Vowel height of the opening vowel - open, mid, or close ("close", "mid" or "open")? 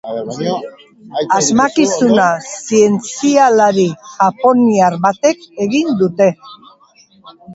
open